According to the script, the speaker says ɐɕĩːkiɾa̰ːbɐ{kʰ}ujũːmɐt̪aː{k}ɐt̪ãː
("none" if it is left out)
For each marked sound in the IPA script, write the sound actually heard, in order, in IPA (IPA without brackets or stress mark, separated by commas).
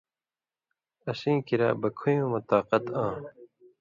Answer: kʰ, q